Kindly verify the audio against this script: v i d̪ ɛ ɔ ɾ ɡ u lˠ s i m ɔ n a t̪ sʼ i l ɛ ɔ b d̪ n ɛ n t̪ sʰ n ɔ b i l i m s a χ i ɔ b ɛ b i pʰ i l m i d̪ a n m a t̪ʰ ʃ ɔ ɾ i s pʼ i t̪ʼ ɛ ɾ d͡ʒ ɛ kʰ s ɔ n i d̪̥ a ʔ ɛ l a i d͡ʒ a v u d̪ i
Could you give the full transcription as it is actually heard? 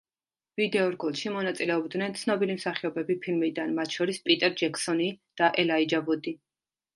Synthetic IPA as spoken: v i d̪ ɛ ɔ ɾ ɡ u lˠ ʃ i m ɔ n a t̪ sʼ i l ɛ ɔ b d̪ n ɛ n t̪ sʰ n ɔ b i l i m s a χ i ɔ b ɛ b i pʰ i l m i d̪ a n m a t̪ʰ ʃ ɔ ɾ i s pʼ i t̪ʼ ɛ ɾ d͡ʒ ɛ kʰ s ɔ n i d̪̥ a ʔ ɛ l a i d͡ʒ a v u d̪ i